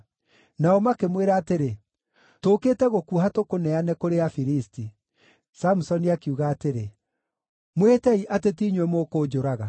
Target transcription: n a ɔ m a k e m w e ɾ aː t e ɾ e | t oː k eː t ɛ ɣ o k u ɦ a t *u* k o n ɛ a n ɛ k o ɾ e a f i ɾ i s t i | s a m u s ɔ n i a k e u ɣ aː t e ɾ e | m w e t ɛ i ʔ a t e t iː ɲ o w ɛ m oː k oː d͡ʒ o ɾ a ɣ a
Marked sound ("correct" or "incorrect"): incorrect